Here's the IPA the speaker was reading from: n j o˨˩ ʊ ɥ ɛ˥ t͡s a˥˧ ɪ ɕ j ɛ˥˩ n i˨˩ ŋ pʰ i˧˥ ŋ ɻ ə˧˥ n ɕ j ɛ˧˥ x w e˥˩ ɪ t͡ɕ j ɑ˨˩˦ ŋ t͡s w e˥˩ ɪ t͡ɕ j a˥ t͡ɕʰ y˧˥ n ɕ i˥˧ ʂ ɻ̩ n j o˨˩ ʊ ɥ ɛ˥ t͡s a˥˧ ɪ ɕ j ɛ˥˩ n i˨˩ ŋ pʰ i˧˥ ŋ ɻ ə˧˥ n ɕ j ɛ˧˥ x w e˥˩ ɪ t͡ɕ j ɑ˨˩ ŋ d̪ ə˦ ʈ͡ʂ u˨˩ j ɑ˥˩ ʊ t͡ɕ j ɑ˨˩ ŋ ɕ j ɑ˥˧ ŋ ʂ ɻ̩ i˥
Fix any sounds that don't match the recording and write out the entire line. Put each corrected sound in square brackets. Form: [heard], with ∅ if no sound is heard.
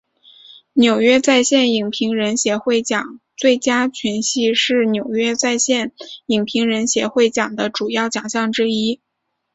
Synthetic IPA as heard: n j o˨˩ ʊ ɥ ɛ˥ t͡s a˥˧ ɪ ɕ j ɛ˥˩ n i˨˩ ŋ pʰ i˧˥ ŋ ɻ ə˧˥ n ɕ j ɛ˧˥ x w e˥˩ ɪ t͡ɕ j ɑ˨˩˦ ŋ t͡s w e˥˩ ɪ t͡ɕ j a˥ t͡ɕʰ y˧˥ n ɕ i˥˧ ʂ ɻ̩ n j o˨˩ ʊ ɥ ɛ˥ t͡s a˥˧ ɪ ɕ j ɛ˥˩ n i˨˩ ŋ pʰ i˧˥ ŋ ɻ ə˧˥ n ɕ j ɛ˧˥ x w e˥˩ ɪ t͡ɕ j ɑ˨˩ ŋ d̪ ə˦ ʈ͡ʂ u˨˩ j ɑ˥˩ ʊ t͡ɕ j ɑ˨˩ ŋ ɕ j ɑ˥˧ ŋ [ʈ͡ʂ] ɻ̩ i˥